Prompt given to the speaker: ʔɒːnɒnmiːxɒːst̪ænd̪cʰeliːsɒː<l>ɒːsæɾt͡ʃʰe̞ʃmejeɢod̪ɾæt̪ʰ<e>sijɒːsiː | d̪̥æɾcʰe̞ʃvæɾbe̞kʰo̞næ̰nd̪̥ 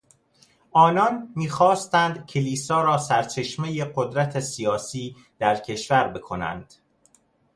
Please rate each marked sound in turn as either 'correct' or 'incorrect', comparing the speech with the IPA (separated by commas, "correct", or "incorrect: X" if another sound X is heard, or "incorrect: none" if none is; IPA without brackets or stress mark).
incorrect: ɾ, correct